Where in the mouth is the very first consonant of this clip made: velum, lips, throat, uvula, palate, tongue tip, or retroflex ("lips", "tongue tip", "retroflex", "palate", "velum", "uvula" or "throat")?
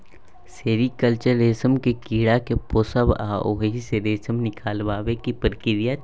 tongue tip